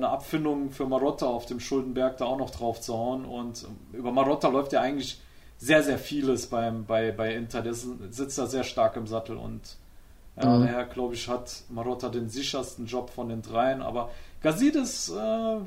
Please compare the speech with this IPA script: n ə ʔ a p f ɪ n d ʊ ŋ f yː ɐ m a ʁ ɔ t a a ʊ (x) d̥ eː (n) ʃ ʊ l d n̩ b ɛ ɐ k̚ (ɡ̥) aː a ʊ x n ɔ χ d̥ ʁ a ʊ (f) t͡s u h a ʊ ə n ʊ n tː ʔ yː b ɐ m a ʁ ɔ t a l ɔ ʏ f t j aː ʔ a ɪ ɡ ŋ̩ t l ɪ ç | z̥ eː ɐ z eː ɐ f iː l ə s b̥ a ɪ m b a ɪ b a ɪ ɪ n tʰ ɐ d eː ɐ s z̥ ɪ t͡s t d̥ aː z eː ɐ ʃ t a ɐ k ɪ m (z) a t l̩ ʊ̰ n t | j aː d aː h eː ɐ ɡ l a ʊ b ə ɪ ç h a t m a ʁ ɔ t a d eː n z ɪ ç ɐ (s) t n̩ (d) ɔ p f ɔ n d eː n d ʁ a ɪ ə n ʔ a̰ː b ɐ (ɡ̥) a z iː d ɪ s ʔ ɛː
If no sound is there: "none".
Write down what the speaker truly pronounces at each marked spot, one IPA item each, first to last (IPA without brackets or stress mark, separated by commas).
f, m, d̥, f, z, s, d͡ʒ, ɡ̥